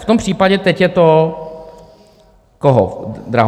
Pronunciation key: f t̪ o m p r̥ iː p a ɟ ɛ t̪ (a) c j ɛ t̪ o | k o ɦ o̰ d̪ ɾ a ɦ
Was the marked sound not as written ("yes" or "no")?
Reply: yes